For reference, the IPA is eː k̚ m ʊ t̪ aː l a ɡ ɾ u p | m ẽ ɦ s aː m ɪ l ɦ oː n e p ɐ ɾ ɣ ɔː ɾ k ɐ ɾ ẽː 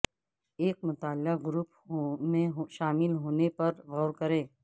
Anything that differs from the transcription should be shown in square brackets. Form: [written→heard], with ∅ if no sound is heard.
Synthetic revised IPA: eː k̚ m ʊ t̪ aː l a ɡ ɾ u p | m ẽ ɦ [s→ʃ] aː m ɪ l ɦ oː n e p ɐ ɾ ɣ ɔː ɾ k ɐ ɾ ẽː